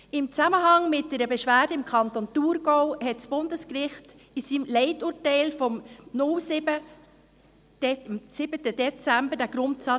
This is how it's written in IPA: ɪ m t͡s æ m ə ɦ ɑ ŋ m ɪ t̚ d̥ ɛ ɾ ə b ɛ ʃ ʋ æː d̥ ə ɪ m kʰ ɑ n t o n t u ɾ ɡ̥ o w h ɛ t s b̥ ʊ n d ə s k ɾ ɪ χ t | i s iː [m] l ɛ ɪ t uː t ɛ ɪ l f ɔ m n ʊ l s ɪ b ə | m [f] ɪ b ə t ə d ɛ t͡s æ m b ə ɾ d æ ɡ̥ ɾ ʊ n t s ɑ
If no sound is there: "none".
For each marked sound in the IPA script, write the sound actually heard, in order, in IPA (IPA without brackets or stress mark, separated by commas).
m, s